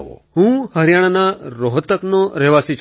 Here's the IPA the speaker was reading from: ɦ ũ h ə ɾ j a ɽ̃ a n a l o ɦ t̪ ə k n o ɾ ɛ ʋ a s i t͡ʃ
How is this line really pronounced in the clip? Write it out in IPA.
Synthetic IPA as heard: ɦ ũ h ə ɾ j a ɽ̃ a n a ɾ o ɦ t̪ ə k n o ɾ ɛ ʋ a s i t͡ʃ